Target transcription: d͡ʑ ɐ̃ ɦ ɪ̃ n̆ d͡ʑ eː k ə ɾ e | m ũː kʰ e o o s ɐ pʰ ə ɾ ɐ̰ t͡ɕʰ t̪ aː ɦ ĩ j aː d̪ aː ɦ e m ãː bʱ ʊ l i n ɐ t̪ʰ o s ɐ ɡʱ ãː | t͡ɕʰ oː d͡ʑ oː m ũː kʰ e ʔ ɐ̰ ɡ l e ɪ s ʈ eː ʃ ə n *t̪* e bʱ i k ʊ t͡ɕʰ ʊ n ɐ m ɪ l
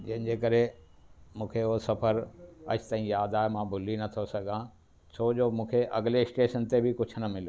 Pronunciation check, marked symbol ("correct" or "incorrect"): correct